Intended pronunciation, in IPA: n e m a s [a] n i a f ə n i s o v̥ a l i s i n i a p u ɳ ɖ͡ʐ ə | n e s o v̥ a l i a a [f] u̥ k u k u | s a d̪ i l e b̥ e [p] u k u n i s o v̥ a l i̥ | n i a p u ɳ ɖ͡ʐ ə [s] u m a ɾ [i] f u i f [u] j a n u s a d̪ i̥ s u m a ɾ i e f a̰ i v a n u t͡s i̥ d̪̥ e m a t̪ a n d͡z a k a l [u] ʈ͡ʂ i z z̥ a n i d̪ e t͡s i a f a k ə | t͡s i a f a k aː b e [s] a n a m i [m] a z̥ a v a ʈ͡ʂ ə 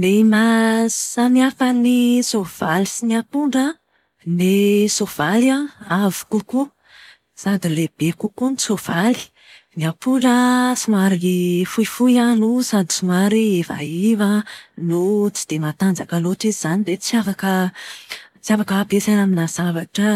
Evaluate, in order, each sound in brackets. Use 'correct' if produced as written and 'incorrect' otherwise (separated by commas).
correct, incorrect, incorrect, correct, correct, correct, incorrect, correct, incorrect